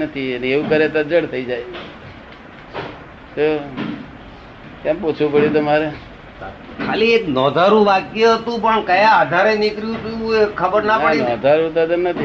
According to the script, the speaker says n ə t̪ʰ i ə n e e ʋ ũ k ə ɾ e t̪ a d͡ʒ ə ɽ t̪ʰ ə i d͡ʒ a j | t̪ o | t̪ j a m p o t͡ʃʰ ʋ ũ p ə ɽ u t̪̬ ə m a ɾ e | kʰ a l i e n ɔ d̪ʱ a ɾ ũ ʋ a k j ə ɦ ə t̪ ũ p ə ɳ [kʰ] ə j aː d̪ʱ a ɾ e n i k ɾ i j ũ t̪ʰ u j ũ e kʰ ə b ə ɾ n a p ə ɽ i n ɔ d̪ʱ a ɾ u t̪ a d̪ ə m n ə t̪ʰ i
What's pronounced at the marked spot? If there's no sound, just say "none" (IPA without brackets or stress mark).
k